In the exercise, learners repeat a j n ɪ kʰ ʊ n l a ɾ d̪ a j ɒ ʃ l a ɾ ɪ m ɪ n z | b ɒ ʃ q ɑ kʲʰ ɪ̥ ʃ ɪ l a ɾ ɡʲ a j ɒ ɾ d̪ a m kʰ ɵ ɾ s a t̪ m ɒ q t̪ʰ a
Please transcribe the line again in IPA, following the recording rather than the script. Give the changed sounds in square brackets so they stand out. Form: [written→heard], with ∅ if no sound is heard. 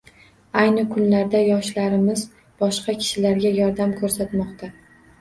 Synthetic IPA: a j n ɪ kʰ ʊ n l a ɾ d̪ a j ɒ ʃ l a ɾ ɪ m ɪ [n→∅] z | b ɒ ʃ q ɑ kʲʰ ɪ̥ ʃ ɪ l a ɾ ɡʲ a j ɒ ɾ d̪ a m kʰ ɵ ɾ s a t̪ m ɒ q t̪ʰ a